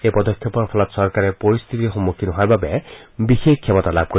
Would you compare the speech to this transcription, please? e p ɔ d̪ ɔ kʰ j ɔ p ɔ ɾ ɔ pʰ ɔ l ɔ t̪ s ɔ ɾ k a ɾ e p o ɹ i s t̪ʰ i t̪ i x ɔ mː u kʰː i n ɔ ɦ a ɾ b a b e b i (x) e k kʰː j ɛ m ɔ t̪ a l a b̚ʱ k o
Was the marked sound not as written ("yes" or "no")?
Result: no